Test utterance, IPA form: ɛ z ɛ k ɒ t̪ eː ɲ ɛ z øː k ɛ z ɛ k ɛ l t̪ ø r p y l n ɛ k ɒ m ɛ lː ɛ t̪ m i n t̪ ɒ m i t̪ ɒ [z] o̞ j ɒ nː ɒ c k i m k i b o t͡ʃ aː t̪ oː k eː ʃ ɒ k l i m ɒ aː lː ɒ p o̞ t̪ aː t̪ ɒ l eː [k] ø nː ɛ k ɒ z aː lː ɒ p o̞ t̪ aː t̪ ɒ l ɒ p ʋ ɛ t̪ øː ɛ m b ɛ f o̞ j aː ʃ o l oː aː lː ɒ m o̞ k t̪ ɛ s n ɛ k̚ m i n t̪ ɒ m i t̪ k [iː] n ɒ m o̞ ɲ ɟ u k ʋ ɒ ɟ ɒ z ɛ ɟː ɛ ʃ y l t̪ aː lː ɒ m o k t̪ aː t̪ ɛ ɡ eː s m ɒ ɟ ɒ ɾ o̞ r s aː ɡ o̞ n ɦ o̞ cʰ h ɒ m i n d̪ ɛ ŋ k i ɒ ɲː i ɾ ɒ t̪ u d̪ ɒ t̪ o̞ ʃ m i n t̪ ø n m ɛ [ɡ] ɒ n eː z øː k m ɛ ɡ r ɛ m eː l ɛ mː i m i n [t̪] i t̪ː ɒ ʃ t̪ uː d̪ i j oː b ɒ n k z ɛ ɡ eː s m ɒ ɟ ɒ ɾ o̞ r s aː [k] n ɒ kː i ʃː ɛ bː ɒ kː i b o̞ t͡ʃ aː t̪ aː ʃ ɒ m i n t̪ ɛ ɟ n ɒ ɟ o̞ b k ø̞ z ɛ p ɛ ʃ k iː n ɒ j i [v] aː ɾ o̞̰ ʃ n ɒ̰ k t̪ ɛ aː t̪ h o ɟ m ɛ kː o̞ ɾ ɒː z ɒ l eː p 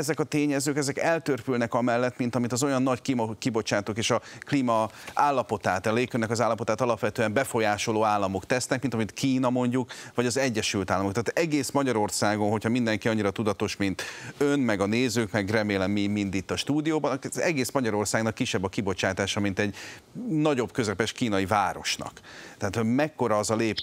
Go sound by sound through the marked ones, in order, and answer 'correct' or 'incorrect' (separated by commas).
correct, correct, correct, correct, incorrect, incorrect, correct